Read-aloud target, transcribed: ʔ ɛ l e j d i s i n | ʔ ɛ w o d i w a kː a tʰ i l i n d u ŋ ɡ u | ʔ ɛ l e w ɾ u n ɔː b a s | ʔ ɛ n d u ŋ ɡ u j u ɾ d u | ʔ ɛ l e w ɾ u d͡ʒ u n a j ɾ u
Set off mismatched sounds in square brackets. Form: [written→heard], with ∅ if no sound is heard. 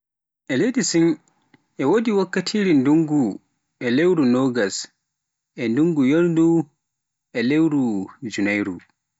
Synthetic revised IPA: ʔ ɛ l e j d i s i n | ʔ ɛ w o d i w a kː a tʰ i [l→ɾ] i n d u ŋ ɡ u | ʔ ɛ l e w ɾ u n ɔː [b→ɡ] a s | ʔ ɛ n d u ŋ ɡ u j [u→o] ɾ d u | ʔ ɛ l e w ɾ u d͡ʒ u n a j ɾ u